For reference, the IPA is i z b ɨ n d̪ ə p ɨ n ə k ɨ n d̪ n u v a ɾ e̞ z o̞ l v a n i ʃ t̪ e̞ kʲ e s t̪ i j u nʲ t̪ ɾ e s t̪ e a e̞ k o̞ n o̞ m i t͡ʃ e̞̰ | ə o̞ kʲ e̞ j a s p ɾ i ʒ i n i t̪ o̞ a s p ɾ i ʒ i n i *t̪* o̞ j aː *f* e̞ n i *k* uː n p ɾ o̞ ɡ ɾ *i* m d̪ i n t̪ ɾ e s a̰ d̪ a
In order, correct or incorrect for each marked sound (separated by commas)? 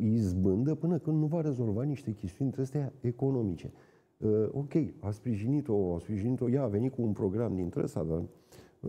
correct, incorrect, correct, incorrect